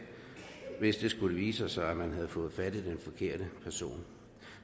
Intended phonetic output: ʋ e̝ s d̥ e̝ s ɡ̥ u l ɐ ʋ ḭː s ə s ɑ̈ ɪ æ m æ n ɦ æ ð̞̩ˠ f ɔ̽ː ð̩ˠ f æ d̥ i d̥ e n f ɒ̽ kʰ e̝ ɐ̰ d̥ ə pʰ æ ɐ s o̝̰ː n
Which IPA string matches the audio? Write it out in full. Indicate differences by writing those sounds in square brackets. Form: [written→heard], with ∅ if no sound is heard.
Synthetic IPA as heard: ʋ e̝ s d̥ e̝ s ɡ̥ u l [ɐ→ə] ʋ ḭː s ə s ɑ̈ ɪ æ m æ n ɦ æ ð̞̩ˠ f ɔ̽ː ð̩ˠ f æ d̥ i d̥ e n f ɒ̽ kʰ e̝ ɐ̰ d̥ ə pʰ æ ɐ s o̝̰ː n